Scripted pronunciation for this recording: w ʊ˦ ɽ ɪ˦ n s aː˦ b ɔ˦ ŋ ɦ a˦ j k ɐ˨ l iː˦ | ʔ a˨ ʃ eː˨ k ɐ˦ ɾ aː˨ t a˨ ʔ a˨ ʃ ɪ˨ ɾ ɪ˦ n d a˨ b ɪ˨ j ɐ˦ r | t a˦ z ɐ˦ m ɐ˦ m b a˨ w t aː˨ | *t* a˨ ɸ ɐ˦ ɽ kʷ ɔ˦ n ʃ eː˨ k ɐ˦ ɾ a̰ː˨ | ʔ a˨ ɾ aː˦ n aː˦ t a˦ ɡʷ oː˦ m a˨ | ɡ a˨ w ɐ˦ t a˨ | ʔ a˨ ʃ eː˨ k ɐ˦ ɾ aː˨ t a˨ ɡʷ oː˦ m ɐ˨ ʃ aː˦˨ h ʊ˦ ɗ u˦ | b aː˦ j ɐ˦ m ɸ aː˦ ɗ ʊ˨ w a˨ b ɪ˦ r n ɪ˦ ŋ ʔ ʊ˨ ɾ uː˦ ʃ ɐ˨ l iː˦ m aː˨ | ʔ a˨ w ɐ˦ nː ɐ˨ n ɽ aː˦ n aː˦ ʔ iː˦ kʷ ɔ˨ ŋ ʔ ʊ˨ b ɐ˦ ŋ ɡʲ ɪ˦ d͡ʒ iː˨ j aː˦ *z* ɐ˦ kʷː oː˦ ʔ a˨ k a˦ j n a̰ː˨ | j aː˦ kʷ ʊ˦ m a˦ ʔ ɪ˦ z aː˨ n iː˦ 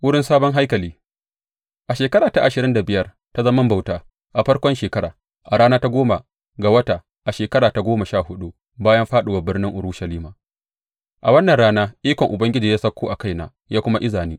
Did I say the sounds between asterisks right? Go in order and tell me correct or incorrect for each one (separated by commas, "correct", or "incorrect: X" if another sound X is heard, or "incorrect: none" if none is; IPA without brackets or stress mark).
incorrect: ʔ, incorrect: s